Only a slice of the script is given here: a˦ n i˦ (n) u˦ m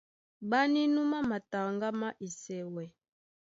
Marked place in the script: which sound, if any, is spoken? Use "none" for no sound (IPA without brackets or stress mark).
n